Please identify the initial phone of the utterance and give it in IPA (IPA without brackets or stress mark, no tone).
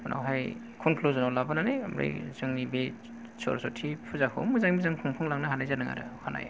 n